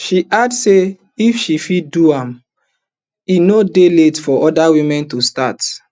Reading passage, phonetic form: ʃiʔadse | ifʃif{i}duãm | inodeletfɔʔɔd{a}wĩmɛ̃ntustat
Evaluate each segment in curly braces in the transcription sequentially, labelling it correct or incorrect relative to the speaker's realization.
correct, correct

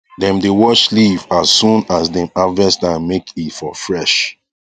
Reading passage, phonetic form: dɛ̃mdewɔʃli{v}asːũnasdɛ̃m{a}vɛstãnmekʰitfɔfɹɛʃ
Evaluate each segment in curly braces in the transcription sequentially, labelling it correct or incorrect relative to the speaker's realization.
correct, correct

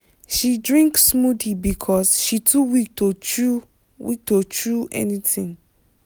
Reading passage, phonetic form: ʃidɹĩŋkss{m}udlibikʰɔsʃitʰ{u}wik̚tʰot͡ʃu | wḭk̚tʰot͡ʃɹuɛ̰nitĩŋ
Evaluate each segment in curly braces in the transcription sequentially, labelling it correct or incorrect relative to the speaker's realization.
correct, correct

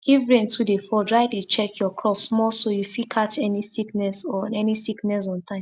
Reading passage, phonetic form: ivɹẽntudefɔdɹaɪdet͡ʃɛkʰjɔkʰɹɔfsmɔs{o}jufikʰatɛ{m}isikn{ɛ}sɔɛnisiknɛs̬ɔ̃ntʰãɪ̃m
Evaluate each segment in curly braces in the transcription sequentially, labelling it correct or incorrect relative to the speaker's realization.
correct, incorrect: n, correct

